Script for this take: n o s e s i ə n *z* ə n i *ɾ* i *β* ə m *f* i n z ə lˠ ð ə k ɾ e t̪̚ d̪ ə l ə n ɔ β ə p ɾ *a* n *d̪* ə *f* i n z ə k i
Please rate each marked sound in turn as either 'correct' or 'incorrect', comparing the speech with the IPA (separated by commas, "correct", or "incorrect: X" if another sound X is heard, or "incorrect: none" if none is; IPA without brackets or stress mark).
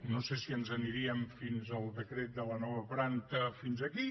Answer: correct, correct, incorrect: none, correct, correct, incorrect: t̪, correct